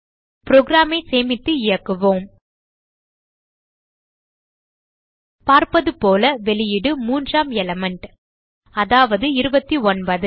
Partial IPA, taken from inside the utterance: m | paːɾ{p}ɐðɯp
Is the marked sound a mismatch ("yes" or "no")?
no